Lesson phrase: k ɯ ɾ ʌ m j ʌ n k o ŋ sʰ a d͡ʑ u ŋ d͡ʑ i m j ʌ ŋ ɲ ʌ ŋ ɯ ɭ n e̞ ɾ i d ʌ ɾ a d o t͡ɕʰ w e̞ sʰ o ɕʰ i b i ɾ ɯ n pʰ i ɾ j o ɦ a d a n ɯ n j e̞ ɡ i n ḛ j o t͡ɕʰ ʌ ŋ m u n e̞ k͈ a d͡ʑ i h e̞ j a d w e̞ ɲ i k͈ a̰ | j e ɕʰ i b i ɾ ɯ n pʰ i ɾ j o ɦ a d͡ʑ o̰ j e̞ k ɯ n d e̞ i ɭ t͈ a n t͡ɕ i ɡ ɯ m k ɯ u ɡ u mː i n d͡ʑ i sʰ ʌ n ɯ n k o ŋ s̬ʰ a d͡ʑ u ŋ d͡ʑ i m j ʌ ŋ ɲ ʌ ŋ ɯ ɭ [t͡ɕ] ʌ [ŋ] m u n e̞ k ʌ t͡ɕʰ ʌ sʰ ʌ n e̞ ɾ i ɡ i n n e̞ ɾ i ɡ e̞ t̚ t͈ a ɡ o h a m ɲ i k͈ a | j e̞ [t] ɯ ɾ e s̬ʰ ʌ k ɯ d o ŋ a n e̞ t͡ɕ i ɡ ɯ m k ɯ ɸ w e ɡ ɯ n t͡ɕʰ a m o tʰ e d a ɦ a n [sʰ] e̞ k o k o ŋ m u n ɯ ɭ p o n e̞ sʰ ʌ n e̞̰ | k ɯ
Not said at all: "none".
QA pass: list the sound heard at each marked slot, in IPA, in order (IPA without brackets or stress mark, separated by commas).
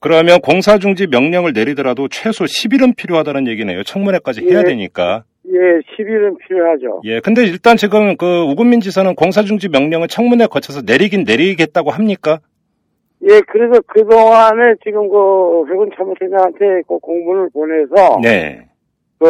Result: t͡ɕʰ, ŋ, k, tʰ